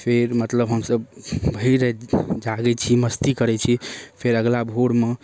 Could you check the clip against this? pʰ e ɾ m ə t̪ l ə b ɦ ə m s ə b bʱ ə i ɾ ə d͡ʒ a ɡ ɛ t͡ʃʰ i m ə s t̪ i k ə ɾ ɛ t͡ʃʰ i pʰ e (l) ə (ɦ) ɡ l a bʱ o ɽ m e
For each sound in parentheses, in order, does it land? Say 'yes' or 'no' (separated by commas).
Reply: no, no